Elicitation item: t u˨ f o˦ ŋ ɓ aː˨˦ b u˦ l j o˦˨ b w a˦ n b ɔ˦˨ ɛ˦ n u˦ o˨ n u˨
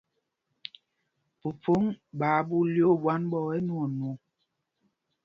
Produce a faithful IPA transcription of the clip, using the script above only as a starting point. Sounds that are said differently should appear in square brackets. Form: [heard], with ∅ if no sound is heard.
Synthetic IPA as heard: [p] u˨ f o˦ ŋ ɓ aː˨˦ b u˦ l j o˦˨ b w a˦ n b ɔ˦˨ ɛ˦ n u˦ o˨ n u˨